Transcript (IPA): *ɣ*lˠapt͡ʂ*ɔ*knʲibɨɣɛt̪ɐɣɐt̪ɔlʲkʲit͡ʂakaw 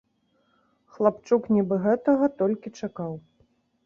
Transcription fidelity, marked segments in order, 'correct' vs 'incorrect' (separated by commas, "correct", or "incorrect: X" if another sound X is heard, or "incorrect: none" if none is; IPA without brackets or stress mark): incorrect: x, incorrect: u